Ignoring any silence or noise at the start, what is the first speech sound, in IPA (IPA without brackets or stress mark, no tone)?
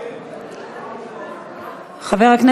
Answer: χ